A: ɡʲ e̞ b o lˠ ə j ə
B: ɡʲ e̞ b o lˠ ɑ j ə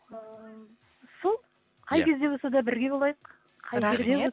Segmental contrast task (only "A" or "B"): B